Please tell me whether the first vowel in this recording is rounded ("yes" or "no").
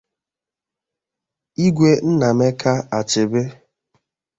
no